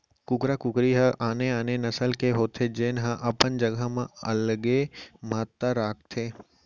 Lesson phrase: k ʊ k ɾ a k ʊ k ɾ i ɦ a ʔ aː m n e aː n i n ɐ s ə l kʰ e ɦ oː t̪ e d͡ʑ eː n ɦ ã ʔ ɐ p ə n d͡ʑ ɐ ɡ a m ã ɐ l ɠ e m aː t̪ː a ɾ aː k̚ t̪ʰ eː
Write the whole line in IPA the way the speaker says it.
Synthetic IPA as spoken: k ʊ k ɾ a k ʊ k ɾ i ɦ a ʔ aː n e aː n e n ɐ s ə l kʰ e ɦ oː t̪ʰ e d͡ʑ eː n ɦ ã ʔ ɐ p ə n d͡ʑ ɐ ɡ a m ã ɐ l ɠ e m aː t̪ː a ɾ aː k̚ t̪ʰ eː